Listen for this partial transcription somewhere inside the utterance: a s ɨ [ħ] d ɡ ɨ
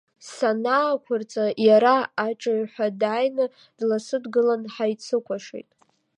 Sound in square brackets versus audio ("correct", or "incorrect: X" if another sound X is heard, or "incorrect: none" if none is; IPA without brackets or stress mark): incorrect: none